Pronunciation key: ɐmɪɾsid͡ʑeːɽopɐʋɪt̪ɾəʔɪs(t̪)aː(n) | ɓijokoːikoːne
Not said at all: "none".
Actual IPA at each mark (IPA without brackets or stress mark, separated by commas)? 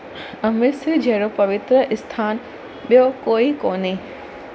t̪ʰ, n